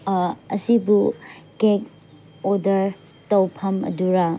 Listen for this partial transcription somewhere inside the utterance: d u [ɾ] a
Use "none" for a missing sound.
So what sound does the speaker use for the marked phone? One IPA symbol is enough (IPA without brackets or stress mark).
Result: ɾ